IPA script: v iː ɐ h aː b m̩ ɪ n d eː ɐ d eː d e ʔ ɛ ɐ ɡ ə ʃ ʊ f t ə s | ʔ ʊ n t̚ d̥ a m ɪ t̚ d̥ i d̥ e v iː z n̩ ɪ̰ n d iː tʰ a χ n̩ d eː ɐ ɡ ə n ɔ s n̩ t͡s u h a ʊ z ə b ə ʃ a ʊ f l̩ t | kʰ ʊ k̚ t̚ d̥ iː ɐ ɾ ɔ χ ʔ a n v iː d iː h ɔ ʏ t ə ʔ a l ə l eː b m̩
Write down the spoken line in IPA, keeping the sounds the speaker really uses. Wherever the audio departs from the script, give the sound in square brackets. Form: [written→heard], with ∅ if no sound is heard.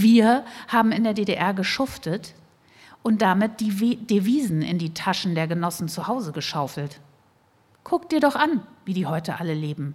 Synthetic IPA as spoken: v iː ɐ h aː b m̩ ɪ n d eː ɐ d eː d e ʔ ɛ ɐ ɡ ə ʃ ʊ f t ə [s→t] | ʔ ʊ n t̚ d̥ a m ɪ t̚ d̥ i d̥ e v iː z n̩ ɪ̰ n d iː tʰ a [χ→ʃ] n̩ d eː ɐ ɡ ə n ɔ s n̩ t͡s u h a ʊ z ə [b→ɡ] ə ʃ a ʊ f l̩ t | kʰ ʊ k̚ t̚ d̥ iː ɐ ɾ ɔ χ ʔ a n v iː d iː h ɔ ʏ t ə ʔ a l ə l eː b m̩